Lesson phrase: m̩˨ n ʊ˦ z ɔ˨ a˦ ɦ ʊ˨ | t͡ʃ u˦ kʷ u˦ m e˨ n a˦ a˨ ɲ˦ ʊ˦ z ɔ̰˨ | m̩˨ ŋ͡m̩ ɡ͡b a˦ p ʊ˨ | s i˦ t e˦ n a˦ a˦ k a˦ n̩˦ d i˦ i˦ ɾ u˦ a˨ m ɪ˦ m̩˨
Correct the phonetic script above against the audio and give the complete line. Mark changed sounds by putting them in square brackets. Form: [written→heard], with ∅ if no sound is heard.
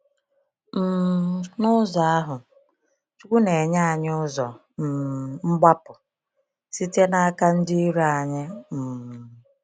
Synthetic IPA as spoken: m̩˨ n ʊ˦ z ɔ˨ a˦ ɦ ʊ˨ | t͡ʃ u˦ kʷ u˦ [m→n] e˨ [n→ɲ] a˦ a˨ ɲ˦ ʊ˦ z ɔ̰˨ | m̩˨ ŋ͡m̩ ɡ͡b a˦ p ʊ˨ | s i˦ t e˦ n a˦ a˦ k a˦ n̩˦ d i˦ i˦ ɾ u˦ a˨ [m→ɲ] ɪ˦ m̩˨